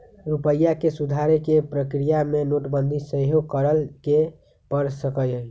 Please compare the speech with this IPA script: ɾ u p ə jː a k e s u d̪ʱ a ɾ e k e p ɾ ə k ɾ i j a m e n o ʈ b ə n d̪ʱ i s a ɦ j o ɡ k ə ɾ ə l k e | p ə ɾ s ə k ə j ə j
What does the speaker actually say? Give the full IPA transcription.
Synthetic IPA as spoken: ɾ u p ə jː a k e s u d̪ʱ a ɾ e k e p ɾ ə k ɾ i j a m e n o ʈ b ə n d̪ʱ i s ə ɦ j o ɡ k ə ɾ ə l k e | p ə ɾ s ə k ə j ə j